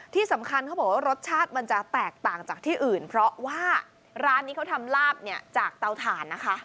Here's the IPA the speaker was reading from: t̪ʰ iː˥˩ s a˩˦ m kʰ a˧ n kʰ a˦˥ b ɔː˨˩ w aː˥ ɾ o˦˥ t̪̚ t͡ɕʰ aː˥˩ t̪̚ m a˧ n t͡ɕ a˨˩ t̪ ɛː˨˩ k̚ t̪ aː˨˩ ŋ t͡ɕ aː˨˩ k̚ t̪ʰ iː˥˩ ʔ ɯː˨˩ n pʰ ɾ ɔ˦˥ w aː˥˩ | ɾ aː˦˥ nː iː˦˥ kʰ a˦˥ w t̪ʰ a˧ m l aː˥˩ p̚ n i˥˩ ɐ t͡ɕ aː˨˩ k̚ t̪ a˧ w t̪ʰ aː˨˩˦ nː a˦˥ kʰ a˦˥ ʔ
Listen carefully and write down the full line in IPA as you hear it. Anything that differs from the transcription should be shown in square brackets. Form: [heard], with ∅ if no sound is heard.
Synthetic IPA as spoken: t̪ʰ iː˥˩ s a˩˦ m kʰ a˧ n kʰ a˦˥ b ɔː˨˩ w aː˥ ɾ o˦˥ t̪̚ t͡ɕʰ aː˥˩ t̪̚ m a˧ n t͡ɕ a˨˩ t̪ ɛː˨˩ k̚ t̪ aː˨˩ ŋ t͡ɕ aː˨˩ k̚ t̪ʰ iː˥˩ ʔ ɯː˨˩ n pʰ ɾ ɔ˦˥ w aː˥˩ | ɾ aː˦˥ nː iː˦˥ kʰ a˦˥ w t̪ʰ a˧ m l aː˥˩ p̚ n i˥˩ ɐ t͡ɕ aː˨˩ k̚ t̪ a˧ w t̪ʰ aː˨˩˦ nː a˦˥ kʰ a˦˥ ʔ